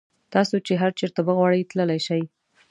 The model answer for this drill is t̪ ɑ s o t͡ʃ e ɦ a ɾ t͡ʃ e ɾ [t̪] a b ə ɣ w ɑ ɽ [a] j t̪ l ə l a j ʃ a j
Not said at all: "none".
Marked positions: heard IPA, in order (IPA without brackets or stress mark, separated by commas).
t̪, ə